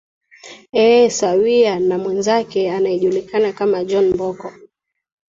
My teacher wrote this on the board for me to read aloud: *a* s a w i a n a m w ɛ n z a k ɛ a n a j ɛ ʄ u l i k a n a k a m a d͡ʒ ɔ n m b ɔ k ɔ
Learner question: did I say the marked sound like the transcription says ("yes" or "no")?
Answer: no